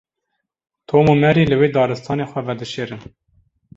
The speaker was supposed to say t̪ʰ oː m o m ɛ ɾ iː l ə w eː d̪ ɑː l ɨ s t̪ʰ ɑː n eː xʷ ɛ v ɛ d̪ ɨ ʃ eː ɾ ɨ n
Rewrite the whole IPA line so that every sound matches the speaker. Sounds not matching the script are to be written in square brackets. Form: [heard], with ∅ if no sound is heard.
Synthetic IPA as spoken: t̪ʰ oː m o m ɛ ɾ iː l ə w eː d̪ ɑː [ɾ] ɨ s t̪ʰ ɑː n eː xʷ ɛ v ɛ d̪ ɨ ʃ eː ɾ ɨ n